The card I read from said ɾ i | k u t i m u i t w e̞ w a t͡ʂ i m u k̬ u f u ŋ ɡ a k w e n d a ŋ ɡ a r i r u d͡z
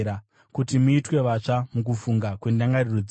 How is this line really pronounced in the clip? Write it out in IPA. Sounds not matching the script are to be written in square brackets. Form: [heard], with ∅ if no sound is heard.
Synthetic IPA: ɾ [a] | k u t i m u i t w e̞ [ʋ] a t͡ʂ [a] m u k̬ u f u ŋ ɡ a k w e n d a ŋ ɡ a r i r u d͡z